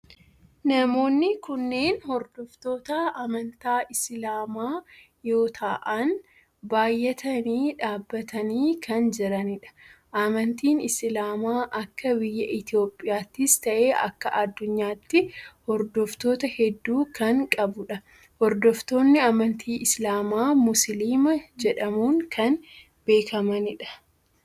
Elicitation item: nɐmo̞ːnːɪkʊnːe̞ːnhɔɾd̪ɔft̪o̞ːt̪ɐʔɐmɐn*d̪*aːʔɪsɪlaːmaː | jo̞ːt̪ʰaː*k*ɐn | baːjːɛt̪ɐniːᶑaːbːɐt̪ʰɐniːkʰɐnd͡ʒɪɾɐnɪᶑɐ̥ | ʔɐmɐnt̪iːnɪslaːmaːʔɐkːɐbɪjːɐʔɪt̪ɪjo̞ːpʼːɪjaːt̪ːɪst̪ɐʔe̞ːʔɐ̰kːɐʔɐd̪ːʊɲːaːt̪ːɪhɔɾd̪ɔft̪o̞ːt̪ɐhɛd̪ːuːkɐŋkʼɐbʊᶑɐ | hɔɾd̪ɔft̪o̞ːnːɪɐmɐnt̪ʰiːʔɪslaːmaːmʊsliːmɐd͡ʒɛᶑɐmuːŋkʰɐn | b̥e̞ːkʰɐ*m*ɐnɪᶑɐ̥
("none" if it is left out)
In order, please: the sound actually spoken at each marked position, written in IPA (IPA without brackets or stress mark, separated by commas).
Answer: t̪, ʔ, m